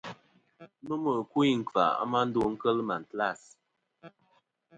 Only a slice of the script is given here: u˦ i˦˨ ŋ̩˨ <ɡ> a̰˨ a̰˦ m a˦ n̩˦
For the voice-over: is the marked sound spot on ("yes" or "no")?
no